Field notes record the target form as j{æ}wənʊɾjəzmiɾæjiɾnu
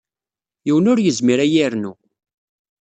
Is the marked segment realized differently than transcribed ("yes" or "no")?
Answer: yes